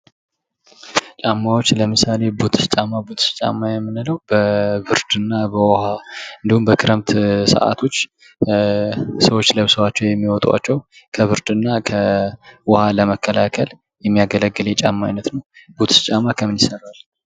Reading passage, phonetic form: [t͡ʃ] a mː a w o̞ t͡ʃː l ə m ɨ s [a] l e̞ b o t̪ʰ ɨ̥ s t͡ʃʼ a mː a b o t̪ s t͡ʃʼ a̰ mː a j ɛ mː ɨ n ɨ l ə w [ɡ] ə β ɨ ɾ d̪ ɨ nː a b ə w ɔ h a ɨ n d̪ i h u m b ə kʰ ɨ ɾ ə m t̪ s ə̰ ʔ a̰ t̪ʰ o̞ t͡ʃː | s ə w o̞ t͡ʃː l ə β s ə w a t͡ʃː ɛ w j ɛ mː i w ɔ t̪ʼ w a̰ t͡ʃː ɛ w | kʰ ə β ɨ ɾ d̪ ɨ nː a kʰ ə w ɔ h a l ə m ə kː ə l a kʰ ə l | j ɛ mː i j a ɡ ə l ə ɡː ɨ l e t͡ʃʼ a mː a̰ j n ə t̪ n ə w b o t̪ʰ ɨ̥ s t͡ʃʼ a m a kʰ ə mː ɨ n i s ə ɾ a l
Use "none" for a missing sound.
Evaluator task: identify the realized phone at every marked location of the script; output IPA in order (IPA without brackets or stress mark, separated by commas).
t͡ʃʼ, a, b